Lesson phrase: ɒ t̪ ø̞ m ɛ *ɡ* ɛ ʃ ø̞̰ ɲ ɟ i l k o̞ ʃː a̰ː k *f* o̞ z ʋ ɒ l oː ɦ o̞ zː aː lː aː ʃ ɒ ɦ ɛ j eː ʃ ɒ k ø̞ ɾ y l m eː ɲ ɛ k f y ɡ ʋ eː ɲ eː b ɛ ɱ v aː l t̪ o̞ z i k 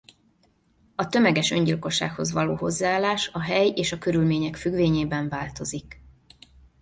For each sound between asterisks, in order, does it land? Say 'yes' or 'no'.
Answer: yes, no

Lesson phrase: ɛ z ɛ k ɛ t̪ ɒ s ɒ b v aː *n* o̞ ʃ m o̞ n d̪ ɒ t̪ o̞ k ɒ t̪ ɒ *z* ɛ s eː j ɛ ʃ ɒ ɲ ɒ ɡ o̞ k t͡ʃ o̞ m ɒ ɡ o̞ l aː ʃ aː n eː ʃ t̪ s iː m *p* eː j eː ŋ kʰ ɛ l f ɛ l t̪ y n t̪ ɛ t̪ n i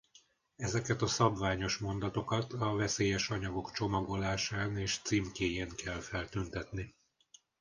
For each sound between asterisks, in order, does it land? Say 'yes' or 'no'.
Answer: no, no, no

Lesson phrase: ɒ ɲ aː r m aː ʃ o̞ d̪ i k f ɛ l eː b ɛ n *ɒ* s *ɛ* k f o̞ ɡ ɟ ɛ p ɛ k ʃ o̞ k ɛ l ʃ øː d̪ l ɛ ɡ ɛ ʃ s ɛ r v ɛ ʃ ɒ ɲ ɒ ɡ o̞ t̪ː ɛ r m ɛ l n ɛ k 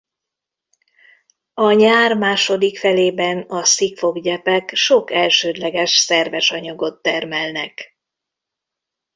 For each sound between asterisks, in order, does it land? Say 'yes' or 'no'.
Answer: yes, no

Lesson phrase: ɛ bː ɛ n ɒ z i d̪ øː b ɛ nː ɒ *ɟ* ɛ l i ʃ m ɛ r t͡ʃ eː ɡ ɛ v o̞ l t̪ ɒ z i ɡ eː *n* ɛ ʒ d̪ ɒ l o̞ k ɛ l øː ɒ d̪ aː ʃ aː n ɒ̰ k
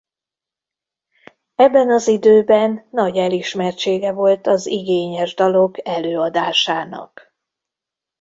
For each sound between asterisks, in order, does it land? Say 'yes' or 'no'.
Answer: yes, no

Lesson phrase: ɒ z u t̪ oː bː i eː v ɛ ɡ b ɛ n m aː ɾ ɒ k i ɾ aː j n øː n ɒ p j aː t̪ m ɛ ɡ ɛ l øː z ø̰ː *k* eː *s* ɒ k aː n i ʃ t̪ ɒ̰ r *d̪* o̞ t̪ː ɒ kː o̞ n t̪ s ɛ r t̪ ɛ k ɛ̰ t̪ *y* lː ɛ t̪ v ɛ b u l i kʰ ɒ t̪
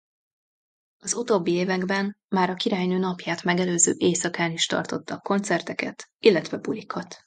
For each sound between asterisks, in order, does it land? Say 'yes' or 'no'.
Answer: no, yes, no, no

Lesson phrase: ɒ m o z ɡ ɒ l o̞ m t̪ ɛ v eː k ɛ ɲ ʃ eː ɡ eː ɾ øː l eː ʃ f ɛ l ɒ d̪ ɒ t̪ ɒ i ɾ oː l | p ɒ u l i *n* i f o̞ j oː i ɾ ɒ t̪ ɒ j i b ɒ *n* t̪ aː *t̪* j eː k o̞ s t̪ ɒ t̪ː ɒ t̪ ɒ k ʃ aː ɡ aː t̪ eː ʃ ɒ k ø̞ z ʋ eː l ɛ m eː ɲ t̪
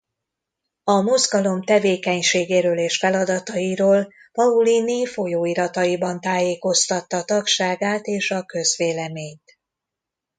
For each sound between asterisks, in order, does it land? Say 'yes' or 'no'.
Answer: yes, yes, no

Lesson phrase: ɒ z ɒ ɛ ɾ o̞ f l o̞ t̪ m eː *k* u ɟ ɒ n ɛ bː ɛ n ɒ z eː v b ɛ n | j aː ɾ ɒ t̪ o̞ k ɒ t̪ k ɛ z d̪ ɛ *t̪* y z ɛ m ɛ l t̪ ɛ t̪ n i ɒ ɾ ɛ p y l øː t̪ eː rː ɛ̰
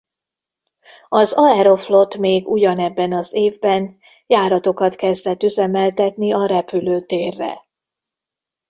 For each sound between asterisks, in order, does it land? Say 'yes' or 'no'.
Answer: no, yes

